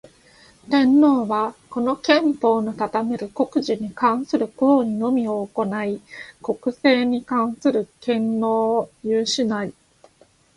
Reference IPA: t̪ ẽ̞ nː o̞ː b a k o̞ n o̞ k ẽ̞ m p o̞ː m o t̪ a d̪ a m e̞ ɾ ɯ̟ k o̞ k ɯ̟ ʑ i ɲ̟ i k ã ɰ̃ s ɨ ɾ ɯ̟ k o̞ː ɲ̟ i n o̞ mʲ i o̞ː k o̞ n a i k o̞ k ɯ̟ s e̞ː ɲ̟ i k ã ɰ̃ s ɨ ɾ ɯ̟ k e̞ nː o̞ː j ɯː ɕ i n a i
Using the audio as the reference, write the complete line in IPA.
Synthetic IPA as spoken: t̪ ẽ̞ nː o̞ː β a k o̞ n o̞ k ẽ̞ m p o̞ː n o t̪ a t̪ a m e̞ ɾ ɯ̟ k o̞ k ɯ̟ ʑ i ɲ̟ i k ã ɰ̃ s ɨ ɾ ɯ̟ k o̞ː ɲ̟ i n o̞ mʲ i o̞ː k o̞ n a i k o̞ k ɯ̟ s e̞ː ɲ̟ i k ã ɰ̃ s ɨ ɾ ɯ̟ k ẽ̞ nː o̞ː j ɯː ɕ i n a i